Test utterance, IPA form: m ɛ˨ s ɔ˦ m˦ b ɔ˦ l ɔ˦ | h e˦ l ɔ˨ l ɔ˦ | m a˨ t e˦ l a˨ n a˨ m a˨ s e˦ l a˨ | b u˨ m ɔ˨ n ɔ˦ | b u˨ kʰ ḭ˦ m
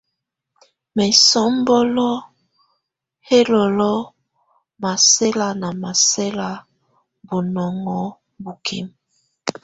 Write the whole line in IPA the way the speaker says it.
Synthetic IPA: m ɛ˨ s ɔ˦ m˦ b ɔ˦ l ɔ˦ | h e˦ l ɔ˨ l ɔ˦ | m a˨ s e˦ l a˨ n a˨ m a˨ s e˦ l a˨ | b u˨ n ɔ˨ ŋ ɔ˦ | b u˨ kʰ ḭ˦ m